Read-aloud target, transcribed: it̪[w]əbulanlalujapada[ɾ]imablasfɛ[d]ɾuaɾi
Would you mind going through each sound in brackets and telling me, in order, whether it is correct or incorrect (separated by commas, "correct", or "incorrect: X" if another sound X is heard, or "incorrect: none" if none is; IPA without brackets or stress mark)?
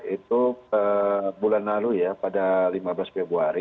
incorrect: u, incorrect: l, incorrect: b